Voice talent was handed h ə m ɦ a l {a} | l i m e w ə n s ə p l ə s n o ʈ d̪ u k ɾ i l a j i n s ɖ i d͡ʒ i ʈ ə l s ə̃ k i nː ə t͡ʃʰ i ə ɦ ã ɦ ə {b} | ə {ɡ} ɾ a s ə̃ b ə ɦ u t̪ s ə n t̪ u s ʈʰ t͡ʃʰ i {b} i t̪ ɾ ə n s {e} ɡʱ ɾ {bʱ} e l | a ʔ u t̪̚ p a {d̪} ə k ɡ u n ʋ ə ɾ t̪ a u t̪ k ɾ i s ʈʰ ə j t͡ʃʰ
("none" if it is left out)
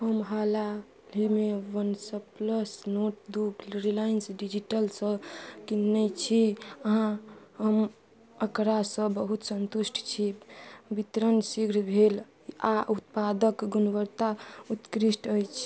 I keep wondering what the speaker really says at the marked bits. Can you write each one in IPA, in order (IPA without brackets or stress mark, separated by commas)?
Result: a, m, k, b, i, bʱ, d̪